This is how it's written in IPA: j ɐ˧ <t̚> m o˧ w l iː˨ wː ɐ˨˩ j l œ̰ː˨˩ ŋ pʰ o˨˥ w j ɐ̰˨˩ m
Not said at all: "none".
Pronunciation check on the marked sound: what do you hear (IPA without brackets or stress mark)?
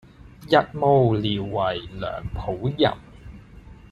t̚